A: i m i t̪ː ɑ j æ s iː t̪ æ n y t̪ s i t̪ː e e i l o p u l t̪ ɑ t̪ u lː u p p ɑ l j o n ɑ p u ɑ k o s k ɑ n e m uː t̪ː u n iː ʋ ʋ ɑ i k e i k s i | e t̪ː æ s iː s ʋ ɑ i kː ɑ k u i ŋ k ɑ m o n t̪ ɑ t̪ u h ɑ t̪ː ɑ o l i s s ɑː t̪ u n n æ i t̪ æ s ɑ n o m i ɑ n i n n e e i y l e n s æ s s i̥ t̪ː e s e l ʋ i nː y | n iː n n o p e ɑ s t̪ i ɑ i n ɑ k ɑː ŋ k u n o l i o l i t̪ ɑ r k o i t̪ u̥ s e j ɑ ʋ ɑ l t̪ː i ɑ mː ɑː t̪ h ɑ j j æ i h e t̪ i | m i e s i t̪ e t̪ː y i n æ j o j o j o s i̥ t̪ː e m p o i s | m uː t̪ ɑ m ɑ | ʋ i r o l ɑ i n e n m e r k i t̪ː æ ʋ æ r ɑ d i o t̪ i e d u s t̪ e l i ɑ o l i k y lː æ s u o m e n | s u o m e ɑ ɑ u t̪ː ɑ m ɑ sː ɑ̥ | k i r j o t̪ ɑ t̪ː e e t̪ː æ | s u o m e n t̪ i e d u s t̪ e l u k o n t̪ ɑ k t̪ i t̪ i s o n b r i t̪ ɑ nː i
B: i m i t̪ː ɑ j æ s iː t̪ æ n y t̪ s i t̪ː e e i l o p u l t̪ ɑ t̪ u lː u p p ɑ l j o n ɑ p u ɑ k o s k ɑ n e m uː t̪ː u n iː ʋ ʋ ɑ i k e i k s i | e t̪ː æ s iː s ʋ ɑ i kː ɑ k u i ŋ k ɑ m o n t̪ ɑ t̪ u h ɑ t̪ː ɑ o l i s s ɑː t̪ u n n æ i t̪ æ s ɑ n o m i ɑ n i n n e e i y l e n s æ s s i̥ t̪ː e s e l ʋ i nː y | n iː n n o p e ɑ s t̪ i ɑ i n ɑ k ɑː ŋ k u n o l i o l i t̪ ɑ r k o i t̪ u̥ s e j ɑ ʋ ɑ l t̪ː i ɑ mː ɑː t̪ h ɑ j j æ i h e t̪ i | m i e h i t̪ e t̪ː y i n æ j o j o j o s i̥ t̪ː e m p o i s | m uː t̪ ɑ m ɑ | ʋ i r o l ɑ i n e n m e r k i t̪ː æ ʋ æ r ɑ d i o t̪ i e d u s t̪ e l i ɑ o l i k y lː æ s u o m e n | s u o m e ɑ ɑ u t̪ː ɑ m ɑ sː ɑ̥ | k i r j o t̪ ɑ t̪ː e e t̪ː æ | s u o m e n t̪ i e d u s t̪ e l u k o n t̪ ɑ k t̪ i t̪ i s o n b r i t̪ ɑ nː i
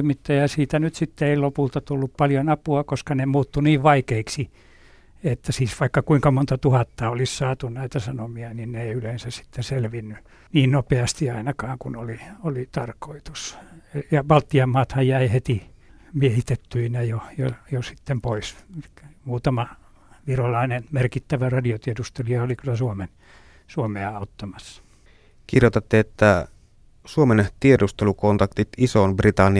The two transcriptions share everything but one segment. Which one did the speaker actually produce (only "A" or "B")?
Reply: B